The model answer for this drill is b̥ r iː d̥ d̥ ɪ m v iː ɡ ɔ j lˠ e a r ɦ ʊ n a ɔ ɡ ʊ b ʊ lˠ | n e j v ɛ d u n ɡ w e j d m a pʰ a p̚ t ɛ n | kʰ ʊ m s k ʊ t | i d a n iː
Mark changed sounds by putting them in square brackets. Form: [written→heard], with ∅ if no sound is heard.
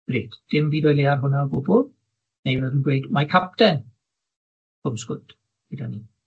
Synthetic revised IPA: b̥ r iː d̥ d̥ ɪ m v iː [ɡ→d] ɔ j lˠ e a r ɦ ʊ n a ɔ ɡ ʊ b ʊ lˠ | n e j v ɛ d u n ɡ w e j d m a [pʰ→kʰ] a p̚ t ɛ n | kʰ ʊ m s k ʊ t | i d a n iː

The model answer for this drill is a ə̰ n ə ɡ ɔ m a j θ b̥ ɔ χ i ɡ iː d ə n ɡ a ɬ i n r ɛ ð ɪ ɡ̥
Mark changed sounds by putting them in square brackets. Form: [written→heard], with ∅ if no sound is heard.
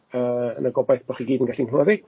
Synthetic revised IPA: [a→ə] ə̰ n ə ɡ ɔ [m→b] a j θ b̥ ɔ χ i ɡ iː d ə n ɡ a ɬ i n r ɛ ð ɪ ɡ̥

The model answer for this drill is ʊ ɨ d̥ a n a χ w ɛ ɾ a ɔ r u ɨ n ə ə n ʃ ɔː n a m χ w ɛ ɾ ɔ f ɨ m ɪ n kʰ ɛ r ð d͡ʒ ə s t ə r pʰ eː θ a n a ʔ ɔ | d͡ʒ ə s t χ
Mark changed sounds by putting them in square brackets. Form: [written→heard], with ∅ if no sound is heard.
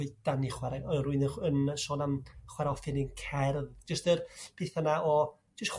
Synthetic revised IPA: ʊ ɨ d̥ a n [a→i] χ w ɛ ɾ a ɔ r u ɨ n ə ə n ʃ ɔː n a m χ w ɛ ɾ ɔ f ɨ [m→n] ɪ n kʰ ɛ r ð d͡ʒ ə s t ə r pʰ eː θ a n a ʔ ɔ | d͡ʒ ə s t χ

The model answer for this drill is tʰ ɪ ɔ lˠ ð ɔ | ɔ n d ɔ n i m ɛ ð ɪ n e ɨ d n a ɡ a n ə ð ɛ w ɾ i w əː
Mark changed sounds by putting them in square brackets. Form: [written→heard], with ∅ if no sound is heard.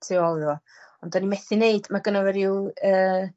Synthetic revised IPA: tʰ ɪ ɔ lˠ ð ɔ | ɔ n d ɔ n i m ɛ [ð→θ] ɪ n e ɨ d [n→m] a ɡ [a→ə] n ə [ð→v] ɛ [w→∅] ɾ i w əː

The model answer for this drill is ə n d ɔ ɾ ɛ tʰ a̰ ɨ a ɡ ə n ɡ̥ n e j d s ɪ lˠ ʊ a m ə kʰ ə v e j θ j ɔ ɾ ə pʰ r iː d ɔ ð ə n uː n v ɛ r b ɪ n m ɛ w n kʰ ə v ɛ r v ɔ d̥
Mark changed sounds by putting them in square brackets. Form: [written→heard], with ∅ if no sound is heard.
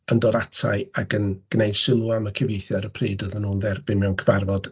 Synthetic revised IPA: ə n d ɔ ɾ [ɛ→a] tʰ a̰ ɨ a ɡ ə n ɡ̥ n e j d s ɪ lˠ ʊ a m ə kʰ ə v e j θ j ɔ ɾ ə pʰ r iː d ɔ ð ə n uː n [v→ð] ɛ r b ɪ n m ɛ w n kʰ ə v [ɛ→a] r v ɔ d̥

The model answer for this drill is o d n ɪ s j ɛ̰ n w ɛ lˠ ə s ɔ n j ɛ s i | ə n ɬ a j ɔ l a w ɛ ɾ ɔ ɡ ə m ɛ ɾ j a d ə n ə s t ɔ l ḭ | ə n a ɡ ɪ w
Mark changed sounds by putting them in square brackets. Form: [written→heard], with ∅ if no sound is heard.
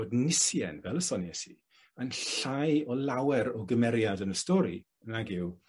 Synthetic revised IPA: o d n ɪ s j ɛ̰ n [w→v] ɛ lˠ ə s ɔ n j ɛ s i | ə n ɬ a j ɔ l a w ɛ ɾ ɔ ɡ ə m ɛ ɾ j a d ə n ə s t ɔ [l→ɾ] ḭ | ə n a ɡ ɪ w

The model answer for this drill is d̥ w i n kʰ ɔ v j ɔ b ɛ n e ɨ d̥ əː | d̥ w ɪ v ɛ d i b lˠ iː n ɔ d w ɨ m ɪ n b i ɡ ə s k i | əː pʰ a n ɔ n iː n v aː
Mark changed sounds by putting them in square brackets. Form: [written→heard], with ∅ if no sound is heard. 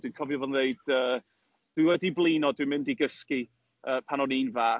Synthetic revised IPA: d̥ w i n kʰ ɔ v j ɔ [b→v] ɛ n e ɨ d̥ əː | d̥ w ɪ [v→w] ɛ d i b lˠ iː n ɔ d w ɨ m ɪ n [b→d] i ɡ ə s k i | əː pʰ a n ɔ n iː n v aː

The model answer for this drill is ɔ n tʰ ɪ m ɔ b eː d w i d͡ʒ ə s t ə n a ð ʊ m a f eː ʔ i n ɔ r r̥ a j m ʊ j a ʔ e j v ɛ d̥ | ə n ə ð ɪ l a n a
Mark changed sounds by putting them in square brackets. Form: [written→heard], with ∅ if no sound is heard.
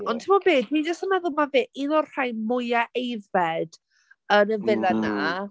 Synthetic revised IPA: ɔ n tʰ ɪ m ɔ b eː d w i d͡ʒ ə s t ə n a ð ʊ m a [f→v] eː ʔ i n ɔ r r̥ a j m ʊ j a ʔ e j v ɛ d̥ | ə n ə [ð→v] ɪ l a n a

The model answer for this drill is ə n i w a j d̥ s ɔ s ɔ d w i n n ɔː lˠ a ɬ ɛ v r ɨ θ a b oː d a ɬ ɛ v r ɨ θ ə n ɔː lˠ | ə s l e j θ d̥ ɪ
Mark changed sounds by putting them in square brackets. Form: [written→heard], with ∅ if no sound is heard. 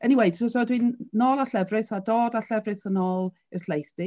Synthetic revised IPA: ə n i w [a→e] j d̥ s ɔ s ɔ d w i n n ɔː lˠ a ɬ ɛ v r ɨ θ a [b→d] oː d a ɬ ɛ v r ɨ θ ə n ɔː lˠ | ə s l e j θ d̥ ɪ

